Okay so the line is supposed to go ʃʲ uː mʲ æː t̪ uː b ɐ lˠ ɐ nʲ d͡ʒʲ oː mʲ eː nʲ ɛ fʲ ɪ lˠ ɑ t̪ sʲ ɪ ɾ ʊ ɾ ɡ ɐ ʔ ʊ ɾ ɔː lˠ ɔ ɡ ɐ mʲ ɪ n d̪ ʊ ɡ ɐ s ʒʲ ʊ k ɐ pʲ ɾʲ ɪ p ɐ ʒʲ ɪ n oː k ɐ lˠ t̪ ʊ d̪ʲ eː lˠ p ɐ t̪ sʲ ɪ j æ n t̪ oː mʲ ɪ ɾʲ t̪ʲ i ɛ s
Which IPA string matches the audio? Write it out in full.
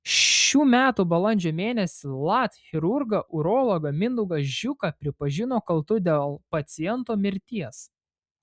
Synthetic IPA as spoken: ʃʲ uː mʲ æː t̪ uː b ɐ lˠ ɐ nʲ d͡ʒʲ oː mʲ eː nʲ ɛ sʲ ɪ lˠ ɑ t̪ xʲ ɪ ɾ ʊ ɾ ɡ ɐ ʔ ʊ ɾ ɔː lˠ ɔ ɡ ɐ mʲ ɪ n d̪ ʊ ɡ ɐ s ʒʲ ʊ k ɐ pʲ ɾʲ ɪ p ɐ ʒʲ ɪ n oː k ɐ lˠ t̪ ʊ d̪ʲ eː lˠ p ɐ t̪ sʲ ɪ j ɛ n t̪ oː mʲ ɪ ɾʲ t̪ʲ i ɛ s